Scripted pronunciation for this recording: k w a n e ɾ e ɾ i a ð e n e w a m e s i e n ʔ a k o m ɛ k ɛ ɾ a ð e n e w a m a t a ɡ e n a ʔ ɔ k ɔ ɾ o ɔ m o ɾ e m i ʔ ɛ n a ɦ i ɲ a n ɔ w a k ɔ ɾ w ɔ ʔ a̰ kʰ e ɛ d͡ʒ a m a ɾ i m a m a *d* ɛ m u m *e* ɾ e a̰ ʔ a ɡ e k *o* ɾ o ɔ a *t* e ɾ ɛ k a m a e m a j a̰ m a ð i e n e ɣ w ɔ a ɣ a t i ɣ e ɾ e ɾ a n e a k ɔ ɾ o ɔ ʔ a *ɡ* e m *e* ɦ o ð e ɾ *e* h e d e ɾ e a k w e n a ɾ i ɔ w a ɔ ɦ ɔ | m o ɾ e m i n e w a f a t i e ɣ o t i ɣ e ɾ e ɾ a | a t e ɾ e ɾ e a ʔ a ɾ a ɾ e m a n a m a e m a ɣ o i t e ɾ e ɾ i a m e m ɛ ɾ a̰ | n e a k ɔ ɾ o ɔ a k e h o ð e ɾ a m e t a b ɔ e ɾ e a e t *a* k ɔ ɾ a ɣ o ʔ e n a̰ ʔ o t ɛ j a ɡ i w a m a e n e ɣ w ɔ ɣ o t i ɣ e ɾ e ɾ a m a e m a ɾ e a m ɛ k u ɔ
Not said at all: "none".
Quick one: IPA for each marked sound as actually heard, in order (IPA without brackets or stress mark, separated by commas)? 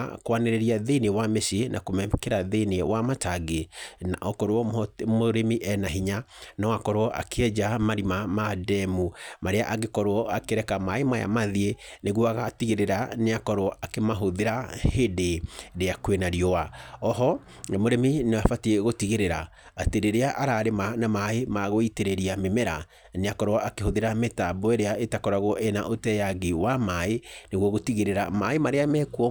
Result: d, a, ɔ, k, k, a, a, a